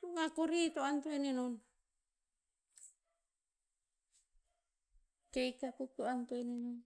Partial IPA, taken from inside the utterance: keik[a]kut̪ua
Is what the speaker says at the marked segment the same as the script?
yes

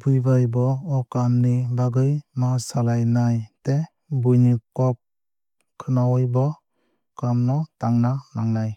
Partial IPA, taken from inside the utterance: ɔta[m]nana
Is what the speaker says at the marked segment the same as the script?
no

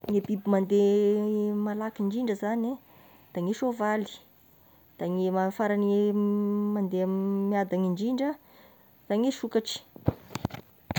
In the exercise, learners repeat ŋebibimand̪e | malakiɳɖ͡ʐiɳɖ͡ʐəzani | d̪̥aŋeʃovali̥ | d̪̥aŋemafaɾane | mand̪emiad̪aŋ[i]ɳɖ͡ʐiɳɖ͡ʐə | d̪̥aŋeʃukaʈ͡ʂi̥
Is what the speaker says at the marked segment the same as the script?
yes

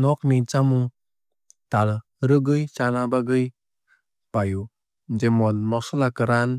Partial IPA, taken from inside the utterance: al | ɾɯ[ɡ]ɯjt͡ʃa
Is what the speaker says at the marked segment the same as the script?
yes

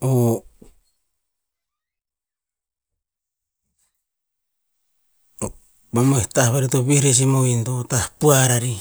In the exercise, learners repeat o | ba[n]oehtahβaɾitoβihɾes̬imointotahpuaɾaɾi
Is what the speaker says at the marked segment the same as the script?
no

